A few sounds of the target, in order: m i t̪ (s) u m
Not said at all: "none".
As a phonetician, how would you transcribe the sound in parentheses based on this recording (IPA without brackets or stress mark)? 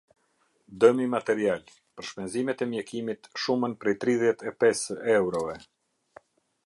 ʃ